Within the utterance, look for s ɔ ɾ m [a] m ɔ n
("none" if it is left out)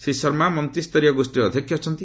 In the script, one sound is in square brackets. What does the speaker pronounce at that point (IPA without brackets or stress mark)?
a